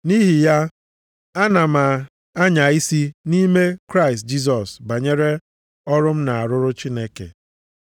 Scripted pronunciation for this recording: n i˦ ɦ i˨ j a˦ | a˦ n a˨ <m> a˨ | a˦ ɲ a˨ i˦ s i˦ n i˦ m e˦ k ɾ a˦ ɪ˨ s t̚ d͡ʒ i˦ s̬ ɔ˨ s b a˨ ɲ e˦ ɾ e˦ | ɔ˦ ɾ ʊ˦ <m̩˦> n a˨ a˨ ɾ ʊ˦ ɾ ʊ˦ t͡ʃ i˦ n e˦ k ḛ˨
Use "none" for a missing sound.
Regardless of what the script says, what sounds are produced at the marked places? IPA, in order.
m, m̩˦

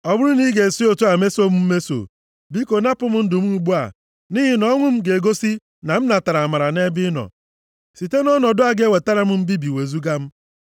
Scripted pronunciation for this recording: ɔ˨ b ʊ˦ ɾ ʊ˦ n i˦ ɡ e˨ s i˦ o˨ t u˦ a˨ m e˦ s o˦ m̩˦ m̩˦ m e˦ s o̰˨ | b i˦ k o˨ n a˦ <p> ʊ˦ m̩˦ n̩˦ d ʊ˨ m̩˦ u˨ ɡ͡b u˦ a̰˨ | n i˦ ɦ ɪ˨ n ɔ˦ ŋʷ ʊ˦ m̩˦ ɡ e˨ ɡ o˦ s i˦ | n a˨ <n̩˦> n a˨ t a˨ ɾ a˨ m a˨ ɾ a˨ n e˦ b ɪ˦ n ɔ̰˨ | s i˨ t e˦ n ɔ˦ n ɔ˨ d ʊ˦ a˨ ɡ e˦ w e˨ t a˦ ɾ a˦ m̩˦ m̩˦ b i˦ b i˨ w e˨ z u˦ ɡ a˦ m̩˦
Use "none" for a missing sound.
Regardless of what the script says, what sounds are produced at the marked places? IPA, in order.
p, m̩˦

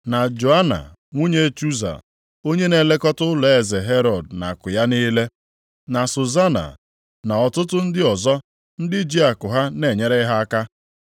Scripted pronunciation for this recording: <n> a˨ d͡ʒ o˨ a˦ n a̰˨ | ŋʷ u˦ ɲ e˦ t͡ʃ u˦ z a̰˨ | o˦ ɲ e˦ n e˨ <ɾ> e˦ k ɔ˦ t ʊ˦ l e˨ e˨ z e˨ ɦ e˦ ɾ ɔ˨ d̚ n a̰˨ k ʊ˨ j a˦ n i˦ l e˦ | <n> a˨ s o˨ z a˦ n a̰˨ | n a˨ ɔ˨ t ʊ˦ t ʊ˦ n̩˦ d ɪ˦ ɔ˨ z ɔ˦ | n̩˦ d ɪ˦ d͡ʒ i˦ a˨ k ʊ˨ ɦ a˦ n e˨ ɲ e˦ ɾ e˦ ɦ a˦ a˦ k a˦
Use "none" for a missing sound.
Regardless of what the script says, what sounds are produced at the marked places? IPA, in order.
n, l, n

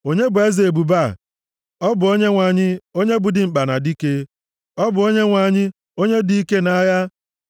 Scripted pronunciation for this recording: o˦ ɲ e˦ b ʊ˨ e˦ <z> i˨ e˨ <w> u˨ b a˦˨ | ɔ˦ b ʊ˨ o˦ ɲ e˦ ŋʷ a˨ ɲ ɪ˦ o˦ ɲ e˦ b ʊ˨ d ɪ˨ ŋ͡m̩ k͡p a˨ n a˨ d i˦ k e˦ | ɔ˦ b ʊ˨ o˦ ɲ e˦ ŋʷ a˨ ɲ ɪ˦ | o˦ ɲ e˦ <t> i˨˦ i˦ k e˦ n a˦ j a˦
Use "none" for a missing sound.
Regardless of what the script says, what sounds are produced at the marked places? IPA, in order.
z, b, d

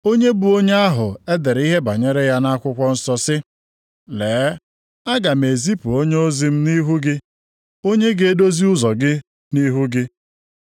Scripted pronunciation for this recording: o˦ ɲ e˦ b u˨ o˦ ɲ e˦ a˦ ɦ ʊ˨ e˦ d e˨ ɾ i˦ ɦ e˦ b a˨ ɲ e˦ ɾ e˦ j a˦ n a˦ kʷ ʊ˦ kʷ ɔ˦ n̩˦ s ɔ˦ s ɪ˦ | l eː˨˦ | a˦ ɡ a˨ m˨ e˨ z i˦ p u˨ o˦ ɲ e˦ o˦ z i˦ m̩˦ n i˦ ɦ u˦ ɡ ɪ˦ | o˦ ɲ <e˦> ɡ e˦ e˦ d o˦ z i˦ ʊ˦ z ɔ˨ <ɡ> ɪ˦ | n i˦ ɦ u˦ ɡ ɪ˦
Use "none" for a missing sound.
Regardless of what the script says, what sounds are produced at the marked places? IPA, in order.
e˦, ɡ

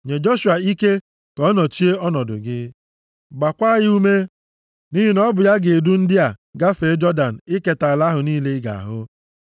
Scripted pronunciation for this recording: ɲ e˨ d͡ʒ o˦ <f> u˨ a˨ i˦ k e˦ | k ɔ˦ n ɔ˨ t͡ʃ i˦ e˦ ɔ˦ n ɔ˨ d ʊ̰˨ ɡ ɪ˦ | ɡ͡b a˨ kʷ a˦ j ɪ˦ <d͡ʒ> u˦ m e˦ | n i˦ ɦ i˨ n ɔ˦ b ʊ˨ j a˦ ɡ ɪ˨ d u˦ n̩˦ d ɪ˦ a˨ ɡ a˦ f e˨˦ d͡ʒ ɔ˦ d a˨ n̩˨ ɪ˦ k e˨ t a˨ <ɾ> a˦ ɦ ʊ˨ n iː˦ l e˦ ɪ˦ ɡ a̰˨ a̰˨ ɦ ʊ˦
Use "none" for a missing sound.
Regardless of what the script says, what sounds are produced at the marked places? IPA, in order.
ʃ, none, l

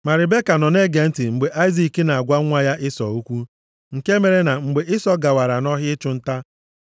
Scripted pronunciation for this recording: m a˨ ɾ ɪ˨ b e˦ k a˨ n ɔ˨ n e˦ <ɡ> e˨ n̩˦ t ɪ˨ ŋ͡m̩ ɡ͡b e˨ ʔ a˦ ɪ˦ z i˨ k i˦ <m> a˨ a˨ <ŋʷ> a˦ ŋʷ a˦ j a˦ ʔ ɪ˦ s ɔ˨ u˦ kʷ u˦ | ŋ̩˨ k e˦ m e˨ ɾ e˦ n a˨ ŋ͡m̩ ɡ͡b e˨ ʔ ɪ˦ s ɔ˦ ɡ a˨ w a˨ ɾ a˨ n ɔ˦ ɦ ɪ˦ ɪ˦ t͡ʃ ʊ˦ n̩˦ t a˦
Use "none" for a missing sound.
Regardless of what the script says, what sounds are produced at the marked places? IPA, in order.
ɡ, n, ɡʷ

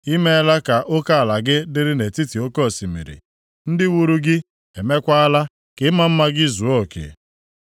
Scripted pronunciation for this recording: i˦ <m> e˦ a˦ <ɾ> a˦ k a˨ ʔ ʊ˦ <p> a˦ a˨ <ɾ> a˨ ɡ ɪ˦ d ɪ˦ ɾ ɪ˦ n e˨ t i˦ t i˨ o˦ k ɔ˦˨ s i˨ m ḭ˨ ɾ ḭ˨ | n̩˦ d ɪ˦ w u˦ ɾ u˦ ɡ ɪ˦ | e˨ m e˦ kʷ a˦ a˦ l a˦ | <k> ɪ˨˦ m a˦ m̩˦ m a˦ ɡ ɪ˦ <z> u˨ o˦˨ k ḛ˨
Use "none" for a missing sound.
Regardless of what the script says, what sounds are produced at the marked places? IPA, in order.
m, l, k, l, k, z

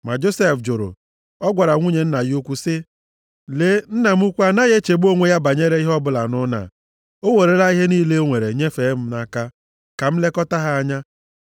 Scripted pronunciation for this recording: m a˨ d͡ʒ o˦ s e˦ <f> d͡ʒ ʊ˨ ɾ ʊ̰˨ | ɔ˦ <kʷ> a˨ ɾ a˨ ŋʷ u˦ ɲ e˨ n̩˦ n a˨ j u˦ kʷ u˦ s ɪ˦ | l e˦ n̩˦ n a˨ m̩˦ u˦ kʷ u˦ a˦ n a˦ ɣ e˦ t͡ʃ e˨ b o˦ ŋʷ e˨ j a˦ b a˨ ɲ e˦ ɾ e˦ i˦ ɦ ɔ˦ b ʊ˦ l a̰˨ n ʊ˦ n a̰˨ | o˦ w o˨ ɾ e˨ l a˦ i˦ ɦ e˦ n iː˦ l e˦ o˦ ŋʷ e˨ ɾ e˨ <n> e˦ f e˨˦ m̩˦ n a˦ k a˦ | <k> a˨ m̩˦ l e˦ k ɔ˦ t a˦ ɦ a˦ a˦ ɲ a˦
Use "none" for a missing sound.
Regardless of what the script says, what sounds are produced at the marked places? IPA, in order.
f, ɡʷ, ɲ, k

